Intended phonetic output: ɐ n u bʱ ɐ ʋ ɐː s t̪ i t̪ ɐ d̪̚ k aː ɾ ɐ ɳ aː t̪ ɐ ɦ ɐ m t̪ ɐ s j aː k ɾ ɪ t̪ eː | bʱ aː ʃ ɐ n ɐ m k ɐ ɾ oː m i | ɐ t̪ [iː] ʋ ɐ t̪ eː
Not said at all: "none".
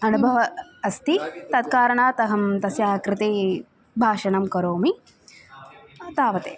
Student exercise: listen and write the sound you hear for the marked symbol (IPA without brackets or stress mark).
aː